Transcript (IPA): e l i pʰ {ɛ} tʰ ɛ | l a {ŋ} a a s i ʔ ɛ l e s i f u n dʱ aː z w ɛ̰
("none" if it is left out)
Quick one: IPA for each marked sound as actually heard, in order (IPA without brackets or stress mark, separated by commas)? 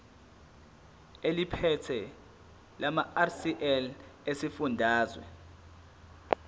ɛ, m